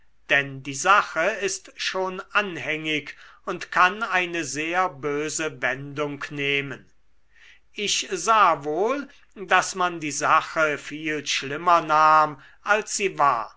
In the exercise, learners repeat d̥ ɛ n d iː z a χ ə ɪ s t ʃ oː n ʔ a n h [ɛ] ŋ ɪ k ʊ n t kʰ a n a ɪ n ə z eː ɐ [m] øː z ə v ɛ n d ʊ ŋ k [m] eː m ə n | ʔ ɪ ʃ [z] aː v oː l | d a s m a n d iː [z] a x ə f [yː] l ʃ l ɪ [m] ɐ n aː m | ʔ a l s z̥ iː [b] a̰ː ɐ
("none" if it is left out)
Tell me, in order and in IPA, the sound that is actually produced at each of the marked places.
ɛ, b, n, z, z, iː, m, v

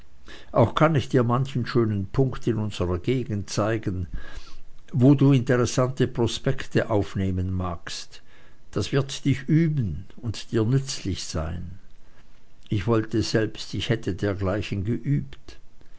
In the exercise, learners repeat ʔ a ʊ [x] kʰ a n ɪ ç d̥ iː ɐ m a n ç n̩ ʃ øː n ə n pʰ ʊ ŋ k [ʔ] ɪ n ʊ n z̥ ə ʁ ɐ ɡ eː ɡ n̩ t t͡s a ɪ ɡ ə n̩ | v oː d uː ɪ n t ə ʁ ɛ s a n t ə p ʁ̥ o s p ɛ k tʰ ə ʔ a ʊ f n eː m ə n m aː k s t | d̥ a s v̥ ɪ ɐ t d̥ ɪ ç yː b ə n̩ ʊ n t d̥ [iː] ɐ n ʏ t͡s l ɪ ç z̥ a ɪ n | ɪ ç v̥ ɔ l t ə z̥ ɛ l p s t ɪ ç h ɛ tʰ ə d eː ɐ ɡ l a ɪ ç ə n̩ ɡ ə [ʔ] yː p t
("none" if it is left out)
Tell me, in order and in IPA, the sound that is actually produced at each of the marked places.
x, t, iː, ʔ

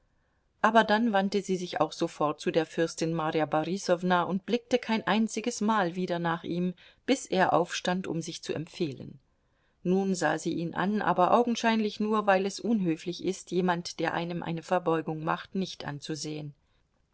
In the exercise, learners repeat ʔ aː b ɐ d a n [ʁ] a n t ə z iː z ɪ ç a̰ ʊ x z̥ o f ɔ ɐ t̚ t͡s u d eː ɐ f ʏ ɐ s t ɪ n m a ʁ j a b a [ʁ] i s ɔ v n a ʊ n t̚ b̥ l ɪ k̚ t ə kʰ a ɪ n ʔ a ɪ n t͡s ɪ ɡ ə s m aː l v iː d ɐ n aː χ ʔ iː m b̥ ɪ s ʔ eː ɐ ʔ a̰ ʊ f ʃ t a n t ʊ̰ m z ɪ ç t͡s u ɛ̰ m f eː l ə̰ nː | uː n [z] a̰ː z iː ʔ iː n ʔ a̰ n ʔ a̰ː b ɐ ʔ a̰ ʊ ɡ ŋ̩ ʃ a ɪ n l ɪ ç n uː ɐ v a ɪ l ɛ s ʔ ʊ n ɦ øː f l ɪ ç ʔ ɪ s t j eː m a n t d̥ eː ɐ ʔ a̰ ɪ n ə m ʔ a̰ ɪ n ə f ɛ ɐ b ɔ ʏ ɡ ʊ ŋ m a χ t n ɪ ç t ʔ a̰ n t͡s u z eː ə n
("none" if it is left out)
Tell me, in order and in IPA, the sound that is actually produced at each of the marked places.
v, ʁ, z

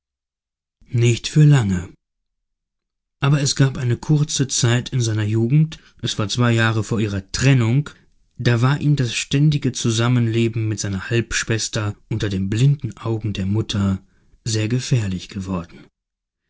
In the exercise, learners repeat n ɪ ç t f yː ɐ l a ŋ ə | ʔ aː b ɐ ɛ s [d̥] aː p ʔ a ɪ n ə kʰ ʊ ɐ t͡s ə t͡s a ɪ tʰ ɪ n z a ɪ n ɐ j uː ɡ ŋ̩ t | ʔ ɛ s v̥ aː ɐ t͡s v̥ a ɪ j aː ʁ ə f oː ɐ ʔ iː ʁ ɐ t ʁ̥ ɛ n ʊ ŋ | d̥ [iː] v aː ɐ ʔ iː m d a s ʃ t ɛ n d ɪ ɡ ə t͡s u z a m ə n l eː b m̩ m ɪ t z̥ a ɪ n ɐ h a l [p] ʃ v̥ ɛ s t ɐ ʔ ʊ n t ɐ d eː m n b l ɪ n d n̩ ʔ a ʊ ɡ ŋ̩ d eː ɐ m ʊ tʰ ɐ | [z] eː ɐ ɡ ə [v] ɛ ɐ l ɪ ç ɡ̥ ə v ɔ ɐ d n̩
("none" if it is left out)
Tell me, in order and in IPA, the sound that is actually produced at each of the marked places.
ɡ̥, aː, p, z, f

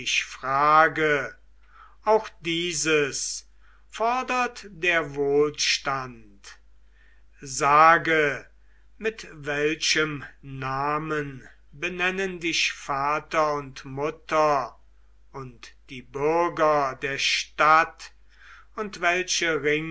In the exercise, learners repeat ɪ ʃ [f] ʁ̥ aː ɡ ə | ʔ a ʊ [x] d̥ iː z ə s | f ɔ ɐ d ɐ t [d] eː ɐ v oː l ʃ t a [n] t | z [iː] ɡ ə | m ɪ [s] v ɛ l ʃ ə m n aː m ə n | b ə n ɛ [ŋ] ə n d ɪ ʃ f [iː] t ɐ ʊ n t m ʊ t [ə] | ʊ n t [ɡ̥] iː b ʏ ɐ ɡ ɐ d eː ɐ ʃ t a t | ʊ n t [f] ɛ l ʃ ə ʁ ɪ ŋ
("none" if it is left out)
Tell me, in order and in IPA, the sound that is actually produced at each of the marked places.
f, x, d, n, aː, t, n, aː, ɐ, d̥, v

